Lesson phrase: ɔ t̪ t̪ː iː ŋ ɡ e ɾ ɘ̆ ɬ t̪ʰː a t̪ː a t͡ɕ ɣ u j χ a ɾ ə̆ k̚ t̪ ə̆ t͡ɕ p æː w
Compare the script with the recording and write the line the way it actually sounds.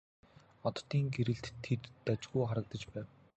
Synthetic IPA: ɔ t̪ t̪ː iː ŋ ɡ e ɾ ɘ̆ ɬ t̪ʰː e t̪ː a t͡ɕ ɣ u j χ a ɾ ə̆ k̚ t̪ ə̆ t͡ɕ p æː w

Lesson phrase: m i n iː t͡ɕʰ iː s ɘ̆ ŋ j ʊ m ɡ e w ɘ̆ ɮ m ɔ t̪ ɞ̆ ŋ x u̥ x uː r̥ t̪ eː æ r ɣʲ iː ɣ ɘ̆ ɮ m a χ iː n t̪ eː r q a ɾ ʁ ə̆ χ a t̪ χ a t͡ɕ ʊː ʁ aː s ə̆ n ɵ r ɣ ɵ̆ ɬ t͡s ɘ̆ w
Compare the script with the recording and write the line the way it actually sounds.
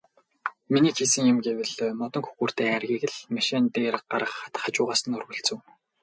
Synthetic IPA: m i n iː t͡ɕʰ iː s ɘ̆ ŋ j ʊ m ɡ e w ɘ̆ ɮ m ɔ t̪ ɞ̆ ŋ x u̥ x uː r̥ t̪ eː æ r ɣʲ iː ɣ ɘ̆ ɮ m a ʃ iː n t̪ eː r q a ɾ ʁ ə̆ χ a t̪ χ a t͡ɕ ʊː ʁ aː s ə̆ n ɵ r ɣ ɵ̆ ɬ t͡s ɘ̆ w

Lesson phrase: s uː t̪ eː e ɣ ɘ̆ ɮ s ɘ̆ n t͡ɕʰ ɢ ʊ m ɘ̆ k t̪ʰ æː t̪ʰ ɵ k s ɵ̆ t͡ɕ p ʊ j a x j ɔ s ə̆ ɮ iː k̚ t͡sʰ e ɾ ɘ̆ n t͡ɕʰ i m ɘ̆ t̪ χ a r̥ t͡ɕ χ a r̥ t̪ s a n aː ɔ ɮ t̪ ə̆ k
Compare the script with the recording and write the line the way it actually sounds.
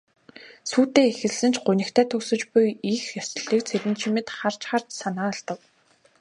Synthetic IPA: s uː t̪ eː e x ɘ̆ ɮ s ɘ̆ n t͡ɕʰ ɢ ʊ n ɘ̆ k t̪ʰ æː t̪ʰ ɵ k s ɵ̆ t͡ɕ p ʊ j i x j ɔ s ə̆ ɮ iː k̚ t͡sʰ e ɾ ɘ̆ n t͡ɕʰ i m ɘ̆ t̪ χ a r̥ t͡ɕ χ a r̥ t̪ s a n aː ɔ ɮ t̪ ə̆ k

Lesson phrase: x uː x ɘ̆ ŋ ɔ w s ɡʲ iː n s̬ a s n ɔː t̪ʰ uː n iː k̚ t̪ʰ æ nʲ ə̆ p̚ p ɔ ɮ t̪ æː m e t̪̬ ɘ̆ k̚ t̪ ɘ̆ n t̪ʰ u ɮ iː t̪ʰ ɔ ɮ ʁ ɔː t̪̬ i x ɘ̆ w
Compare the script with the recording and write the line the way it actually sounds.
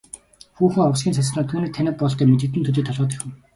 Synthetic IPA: x uː x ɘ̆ ŋ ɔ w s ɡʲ iː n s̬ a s n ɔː t̪ʰ uː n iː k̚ t̪ʰ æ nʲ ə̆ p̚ p ɔ ɮ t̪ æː m e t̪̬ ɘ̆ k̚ t̪ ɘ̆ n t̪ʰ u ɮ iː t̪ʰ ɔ ɮ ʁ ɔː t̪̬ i x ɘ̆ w

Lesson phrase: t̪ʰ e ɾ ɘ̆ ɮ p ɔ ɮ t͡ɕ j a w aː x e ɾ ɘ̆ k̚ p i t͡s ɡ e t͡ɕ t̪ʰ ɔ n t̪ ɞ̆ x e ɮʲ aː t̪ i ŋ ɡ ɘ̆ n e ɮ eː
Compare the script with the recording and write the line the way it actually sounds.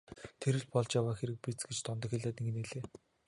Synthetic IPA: t̪ʰ e ɾ ɘ̆ ɮ p ɔ ɮ t͡ɕ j a w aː x e ɾ ɘ̆ k̚ p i t͡s ɡ e t͡ɕ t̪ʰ ɔ n t̪ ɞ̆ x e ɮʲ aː t̪ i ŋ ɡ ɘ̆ n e ɮ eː

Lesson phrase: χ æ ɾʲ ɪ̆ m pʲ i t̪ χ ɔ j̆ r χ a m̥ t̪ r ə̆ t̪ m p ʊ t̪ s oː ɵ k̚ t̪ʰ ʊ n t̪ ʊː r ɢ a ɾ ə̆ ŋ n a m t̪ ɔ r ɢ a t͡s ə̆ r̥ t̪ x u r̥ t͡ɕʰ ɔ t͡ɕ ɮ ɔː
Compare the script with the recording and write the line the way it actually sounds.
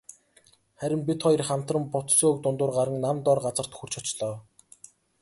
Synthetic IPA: χ æ ɾʲ ɪ̆ m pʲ i t̪ χ ɔ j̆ r χ a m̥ t̪ r ə̆ m p ʊ t̪ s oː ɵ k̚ t̪ ʊ n t̪ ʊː r ɢ a ɾ ə̆ ŋ n a m t̪ ɔ r ɢ a t͡s ə̆ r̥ t̪ x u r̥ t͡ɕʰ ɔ t͡ɕ ɮ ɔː

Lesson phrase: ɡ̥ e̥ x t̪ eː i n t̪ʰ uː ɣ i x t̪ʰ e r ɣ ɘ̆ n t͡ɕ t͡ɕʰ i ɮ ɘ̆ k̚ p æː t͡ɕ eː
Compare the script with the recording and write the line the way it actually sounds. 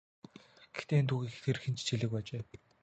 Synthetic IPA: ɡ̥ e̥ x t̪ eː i n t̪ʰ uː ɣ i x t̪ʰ e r x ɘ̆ n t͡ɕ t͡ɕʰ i ɮ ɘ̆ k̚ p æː t͡ɕ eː

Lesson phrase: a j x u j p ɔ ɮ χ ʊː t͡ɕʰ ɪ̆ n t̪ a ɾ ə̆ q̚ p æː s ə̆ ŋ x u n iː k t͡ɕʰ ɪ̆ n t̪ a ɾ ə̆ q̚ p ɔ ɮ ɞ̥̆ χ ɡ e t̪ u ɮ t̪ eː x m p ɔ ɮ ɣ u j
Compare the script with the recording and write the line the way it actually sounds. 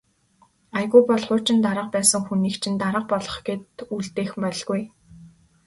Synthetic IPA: a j ɣ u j p ɔ ɮ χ ʊː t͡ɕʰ ɪ̆ n t̪ a ɾ ə̆ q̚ p æː s ə̆ ŋ x u n iː k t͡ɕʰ ɪ̆ n t̪ a ɾ ə̆ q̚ p ɔ ɮ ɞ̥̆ χ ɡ e t̪ u ɮ t̪ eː x m p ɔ ɮ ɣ u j

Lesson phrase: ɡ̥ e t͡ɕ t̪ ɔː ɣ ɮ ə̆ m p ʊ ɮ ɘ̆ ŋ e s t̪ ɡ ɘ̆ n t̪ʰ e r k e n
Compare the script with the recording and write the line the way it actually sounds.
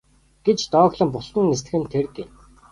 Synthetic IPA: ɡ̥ e t͡ɕ t̪ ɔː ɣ ɮ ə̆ m p ʊ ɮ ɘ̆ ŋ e s t̪ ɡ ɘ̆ n t̪ʰ e r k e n

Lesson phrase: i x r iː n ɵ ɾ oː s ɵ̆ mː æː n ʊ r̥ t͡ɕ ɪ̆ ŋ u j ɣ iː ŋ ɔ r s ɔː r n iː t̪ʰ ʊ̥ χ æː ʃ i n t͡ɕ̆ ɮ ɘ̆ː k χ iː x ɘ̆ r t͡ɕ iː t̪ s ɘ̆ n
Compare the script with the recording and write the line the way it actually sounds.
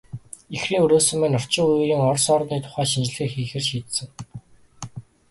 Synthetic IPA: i x r iː ŋ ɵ ɾ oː s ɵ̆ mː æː n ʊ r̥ t͡ɕ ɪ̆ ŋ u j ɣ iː ŋ ɔ r s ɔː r n iː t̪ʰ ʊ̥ χ æː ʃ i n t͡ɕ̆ ɮ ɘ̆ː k x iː x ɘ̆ r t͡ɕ iː t̪ s ɘ̆ ŋ

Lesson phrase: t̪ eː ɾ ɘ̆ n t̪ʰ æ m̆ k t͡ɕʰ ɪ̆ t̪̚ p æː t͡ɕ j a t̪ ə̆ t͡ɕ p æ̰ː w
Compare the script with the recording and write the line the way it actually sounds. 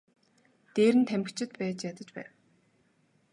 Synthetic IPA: t̪ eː ɾ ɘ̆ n t̪ʰ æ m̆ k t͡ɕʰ ɪ̆ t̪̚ p æː t͡ɕ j a t̪ ə̆ t͡ɕ p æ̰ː w

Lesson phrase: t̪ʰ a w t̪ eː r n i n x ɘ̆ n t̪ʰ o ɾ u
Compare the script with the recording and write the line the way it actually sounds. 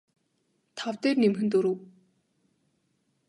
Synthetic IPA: t̪ʰ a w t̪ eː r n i m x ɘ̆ n t̪ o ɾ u

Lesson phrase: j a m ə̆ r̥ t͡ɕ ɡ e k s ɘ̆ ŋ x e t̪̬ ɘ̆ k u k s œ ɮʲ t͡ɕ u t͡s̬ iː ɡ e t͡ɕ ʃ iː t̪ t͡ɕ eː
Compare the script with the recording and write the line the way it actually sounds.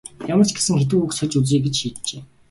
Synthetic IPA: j a m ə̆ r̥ t͡ɕ ɡ e s ɘ̆ ŋ x e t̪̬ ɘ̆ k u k s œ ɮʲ t͡ɕ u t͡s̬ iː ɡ e t͡ɕ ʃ iː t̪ t͡ɕ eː

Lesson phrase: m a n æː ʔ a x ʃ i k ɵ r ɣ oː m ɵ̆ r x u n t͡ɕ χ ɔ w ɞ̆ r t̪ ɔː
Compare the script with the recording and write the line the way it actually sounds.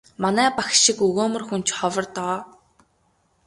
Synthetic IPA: m a n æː p a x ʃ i k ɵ ɣ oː m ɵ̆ r x u n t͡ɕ χ ɔ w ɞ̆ r t̪ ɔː

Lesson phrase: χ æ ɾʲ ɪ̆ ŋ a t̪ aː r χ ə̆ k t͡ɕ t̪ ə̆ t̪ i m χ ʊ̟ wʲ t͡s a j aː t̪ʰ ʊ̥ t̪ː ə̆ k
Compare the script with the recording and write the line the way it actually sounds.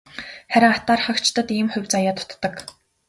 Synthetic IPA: χ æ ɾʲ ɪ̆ ŋ a t̪ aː r χ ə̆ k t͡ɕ t̪ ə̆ t̪ iː m χ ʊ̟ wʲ t͡s a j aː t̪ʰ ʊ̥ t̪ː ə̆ k

